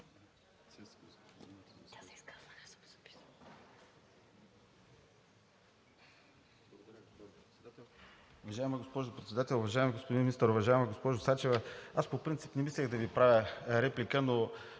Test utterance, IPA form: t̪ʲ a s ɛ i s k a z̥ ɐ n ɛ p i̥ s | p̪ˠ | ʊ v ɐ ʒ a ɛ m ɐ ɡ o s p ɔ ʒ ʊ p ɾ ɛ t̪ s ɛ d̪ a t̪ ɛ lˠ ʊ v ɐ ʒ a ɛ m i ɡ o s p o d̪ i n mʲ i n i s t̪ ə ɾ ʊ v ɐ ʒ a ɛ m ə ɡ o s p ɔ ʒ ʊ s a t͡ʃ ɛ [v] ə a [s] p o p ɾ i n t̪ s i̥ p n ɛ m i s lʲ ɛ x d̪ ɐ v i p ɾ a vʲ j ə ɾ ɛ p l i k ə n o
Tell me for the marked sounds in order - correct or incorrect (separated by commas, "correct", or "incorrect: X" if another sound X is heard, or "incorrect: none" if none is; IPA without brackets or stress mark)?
correct, correct